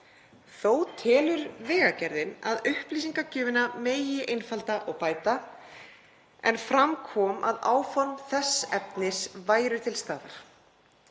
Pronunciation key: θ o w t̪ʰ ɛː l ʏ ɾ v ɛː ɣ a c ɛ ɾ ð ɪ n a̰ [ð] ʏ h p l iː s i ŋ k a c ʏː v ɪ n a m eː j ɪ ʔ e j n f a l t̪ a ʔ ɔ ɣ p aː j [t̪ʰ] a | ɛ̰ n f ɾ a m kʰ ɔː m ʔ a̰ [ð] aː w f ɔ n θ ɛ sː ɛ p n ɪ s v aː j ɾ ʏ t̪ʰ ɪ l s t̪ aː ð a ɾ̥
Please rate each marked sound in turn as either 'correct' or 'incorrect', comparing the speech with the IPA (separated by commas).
correct, incorrect, correct